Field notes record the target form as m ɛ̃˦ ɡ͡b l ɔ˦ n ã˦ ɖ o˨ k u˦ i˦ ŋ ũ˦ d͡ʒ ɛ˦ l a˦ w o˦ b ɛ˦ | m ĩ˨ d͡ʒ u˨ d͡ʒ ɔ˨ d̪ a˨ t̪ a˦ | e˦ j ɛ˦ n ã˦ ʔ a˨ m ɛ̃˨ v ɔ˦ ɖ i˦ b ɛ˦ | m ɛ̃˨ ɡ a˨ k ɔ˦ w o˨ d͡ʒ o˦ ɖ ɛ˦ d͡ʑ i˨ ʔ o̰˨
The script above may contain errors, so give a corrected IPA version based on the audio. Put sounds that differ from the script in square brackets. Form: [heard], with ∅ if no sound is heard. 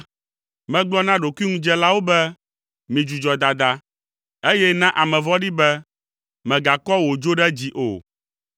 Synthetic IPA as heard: m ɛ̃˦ ɡ͡b l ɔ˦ n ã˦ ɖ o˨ k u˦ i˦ ŋ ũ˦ d͡ʒ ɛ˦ l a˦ w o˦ b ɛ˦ | m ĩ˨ d͡ʒ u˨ d͡ʒ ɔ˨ d̪ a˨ [d̪] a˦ | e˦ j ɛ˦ n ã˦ ʔ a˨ m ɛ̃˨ v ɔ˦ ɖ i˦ b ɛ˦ | m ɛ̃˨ ɡ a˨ k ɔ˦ w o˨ d͡ʒ o˦ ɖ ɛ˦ d͡ʑ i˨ ʔ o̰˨